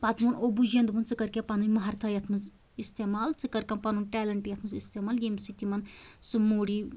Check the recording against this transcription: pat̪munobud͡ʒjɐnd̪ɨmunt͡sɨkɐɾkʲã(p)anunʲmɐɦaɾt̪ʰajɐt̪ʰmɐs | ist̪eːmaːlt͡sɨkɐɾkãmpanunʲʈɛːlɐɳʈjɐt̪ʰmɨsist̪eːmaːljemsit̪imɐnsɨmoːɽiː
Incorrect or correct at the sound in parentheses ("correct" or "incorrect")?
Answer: correct